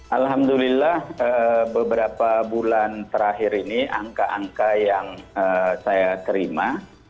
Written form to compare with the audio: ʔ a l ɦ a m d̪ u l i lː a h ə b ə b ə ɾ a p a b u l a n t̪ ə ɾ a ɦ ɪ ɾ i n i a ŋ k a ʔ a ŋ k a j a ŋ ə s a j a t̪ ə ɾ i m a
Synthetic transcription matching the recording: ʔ a l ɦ a m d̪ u l i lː a h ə b ə b ə ɾ a p a b u l a n t̪ ə ɾ a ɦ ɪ ɾ i n i a ŋ k a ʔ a ŋ k a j a ŋ ə s a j a t̪ ə ɾ i m a